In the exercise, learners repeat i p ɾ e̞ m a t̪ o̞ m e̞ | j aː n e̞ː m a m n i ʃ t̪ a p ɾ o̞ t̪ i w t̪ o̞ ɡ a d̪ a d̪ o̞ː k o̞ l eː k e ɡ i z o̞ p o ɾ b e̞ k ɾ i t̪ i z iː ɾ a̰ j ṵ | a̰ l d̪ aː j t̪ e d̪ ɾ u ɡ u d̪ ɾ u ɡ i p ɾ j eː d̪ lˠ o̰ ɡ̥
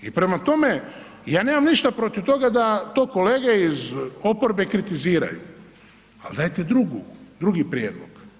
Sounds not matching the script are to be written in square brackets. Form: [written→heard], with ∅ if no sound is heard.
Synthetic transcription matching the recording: i p ɾ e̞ m a t̪ o̞ m e̞ | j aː n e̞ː m a m n i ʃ t̪ a p ɾ o̞ t̪ i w t̪ o̞ ɡ a d̪ a [d̪→t̪] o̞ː k o̞ l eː [k→ɡ] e [ɡ→∅] i z o̞ p o ɾ b e̞ k ɾ i t̪ i z iː ɾ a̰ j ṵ | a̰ l d̪ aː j t̪ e d̪ ɾ u ɡ u d̪ ɾ u ɡ i p ɾ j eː d̪ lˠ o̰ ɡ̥